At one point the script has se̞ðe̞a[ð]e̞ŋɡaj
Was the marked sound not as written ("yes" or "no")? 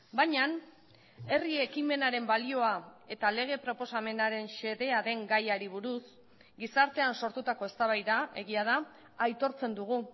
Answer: no